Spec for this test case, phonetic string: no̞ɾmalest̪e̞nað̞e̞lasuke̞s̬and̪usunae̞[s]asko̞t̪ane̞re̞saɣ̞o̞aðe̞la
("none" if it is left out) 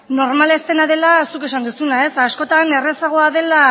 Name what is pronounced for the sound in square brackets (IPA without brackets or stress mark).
s